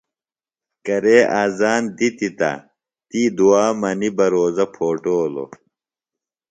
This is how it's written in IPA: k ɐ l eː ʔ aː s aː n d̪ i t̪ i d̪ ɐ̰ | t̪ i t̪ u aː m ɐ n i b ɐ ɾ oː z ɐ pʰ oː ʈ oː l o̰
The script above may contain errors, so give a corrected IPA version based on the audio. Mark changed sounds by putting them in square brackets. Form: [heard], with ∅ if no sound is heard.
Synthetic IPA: k ɐ [ɾ] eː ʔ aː [z] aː n d̪ i t̪ i [t̪] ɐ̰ | t̪ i [d̪] u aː m ɐ n i b ɐ ɾ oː z ɐ pʰ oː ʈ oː l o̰